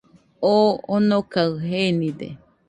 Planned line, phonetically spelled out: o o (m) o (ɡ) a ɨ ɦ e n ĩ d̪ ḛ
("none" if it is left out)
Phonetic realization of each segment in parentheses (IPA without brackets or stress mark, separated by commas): n, k